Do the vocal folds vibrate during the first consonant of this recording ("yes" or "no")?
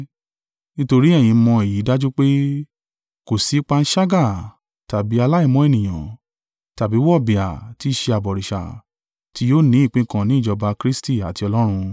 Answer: yes